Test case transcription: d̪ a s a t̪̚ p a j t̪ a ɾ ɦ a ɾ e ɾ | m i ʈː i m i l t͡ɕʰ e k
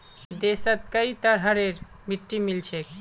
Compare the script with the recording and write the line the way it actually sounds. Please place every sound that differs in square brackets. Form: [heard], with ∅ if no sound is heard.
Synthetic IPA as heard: d̪ [e] s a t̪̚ [k] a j t̪ a ɾ ɦ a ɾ e ɾ | m i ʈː i m i l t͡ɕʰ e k